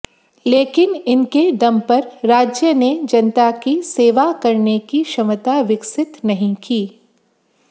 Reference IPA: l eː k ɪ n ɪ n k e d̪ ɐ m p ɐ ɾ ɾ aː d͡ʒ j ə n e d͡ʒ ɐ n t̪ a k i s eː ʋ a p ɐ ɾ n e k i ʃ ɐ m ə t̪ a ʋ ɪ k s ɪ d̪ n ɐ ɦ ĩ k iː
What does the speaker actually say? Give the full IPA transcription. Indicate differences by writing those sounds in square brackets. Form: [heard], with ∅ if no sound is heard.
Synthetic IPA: l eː k ɪ n ɪ n k e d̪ ɐ m p ɐ ɾ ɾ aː d͡ʒ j ə n e d͡ʒ ɐ n t̪ a k i s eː ʋ a [k] ɐ ɾ n e k i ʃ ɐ m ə t̪ a ʋ ɪ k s ɪ [t̪] n ɐ ɦ ĩ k iː